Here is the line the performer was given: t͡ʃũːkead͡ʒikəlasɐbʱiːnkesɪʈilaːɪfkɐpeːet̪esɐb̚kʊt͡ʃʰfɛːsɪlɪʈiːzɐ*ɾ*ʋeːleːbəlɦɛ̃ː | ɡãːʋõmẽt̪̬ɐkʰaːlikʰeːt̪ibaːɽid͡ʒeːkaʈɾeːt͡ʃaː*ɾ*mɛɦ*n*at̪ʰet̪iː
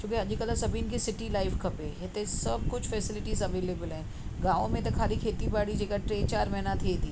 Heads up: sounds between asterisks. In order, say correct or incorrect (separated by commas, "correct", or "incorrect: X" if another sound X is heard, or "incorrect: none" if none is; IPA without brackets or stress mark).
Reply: incorrect: none, correct, correct